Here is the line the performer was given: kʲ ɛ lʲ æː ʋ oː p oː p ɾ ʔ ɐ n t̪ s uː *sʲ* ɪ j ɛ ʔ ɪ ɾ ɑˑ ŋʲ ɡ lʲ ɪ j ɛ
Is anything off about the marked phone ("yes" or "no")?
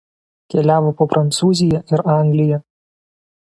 yes